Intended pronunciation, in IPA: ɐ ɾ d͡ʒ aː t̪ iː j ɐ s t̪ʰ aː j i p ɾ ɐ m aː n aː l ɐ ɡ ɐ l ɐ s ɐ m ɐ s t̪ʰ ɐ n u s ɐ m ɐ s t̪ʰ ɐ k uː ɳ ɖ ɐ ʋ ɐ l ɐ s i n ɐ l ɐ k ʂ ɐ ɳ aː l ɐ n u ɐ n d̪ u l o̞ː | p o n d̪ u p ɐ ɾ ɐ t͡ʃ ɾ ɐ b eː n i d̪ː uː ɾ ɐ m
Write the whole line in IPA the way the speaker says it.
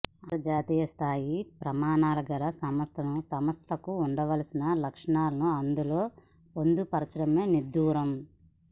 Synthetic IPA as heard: ɐ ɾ d͡ʒ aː t̪ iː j ɐ s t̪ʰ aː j i p ɾ ɐ m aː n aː l ɐ ɡ ɐ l ɐ s ɐ m ɐ s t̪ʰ ɐ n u s ɐ m ɐ s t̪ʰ ɐ k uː ɳ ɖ ɐ ʋ ɐ l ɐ s i n ɐ l ɐ k ʂ ɐ ɳ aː l ɐ n u ɐ n d̪ u l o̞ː | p o n d̪ u p ɐ ɾ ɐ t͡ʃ ɾ ɐ m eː n i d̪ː uː ɾ ɐ m